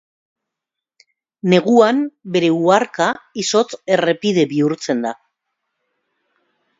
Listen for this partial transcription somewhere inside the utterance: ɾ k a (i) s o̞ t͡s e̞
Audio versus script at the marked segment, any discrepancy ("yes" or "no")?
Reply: no